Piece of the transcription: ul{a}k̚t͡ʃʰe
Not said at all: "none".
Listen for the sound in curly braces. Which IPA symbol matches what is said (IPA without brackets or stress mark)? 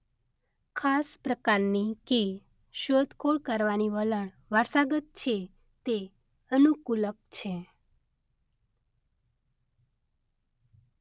ə